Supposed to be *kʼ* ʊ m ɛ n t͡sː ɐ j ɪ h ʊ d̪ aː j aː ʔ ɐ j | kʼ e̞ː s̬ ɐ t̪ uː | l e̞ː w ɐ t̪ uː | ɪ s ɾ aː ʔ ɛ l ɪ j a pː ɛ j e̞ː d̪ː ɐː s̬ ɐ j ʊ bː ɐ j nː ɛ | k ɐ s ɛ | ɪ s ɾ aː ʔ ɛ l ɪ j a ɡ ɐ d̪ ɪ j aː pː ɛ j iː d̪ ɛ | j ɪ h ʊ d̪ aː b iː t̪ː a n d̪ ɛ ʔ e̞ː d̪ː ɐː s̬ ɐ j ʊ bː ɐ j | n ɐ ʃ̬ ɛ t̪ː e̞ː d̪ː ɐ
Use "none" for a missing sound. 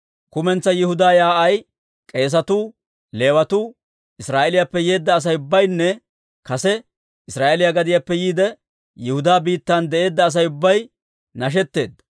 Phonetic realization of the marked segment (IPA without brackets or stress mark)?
k